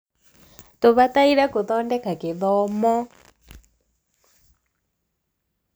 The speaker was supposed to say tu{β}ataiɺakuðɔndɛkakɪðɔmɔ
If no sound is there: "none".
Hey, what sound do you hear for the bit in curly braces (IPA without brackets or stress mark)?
β